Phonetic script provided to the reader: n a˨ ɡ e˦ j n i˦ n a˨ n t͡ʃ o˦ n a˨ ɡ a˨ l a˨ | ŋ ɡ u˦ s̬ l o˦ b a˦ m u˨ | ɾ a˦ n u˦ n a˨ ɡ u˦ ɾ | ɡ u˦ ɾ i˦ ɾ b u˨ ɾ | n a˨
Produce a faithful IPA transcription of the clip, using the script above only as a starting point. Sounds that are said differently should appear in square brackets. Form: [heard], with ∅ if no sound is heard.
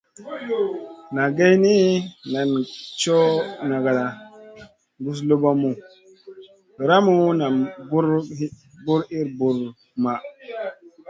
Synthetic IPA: n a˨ ɡ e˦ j n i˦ n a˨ n t͡ʃ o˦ n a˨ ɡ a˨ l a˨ | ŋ ɡ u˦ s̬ l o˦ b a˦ m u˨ | ɾ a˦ [m] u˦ n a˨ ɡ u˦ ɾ | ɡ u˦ ɾ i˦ ɾ b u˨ ɾ | [m] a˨